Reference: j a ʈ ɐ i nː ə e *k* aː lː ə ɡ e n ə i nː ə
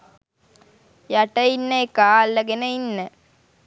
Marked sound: correct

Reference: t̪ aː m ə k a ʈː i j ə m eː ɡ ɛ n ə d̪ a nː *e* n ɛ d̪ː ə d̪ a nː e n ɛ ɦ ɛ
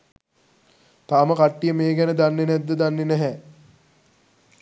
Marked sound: correct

